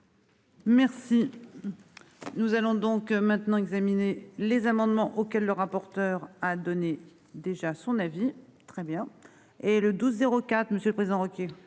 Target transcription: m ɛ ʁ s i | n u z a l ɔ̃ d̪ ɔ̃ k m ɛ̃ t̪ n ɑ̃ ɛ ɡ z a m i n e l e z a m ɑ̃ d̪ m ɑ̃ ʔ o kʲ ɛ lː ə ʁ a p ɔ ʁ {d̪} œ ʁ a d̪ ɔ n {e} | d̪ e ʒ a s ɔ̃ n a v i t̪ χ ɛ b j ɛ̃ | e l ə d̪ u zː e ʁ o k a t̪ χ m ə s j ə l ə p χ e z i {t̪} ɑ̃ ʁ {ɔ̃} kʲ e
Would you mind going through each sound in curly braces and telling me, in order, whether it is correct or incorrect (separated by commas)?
incorrect, correct, incorrect, incorrect